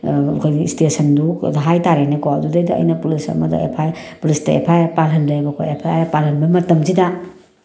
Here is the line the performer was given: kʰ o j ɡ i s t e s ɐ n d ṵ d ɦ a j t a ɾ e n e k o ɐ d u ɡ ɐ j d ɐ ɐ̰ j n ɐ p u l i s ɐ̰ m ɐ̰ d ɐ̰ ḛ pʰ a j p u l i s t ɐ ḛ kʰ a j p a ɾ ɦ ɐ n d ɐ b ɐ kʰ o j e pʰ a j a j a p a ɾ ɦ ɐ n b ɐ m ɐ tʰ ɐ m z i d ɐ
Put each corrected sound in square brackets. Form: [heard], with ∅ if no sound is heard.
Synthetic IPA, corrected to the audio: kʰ o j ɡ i s t e s ɐ n d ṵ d ɦ a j t a ɾ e n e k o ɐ d u [d] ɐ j d ɐ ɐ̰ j n ɐ p u l i s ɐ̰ m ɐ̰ d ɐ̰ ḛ pʰ a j p u l i s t ɐ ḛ [pʰ] a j p a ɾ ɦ ɐ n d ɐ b ɐ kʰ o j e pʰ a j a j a p a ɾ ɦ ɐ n b ɐ m ɐ [t] ɐ m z i d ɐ